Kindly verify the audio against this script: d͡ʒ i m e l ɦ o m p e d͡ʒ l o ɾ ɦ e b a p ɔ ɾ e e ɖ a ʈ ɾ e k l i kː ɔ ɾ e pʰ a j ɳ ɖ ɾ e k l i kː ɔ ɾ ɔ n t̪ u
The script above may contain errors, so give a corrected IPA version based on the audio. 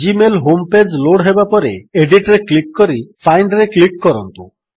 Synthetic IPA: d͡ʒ i m e l ɦ o m p e d͡ʒ l o ɽ ɦ e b a p ɔ ɾ e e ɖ i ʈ ɾ e k l i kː ɔ ɾ i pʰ a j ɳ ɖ ɾ e k l i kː ɔ ɾ ɔ n t̪ u